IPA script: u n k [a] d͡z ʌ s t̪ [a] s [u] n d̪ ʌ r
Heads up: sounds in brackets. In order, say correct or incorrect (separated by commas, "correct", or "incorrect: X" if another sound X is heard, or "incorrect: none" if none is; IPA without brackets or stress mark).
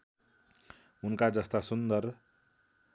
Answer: correct, correct, correct